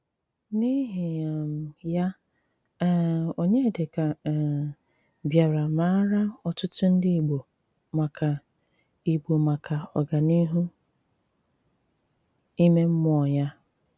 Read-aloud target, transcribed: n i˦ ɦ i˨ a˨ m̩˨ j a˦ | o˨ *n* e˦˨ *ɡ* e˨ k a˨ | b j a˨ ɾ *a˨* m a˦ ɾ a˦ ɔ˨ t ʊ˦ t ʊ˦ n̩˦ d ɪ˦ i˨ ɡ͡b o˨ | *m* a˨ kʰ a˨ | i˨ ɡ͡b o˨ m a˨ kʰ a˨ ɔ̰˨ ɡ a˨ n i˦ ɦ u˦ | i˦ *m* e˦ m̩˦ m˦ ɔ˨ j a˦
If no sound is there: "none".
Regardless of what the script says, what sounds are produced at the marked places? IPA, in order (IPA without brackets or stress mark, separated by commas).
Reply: ɲ, d, a˨, m, m